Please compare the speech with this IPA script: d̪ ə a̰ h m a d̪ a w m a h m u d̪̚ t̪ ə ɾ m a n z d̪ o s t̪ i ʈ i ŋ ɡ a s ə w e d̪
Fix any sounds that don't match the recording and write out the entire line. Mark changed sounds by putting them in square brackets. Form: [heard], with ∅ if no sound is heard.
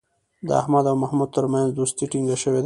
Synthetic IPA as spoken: d̪ ə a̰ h m a d̪ a w m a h m u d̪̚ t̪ ə ɾ m a n z d̪ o s t̪ i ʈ i ŋ ɡ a [ʃ] ə w e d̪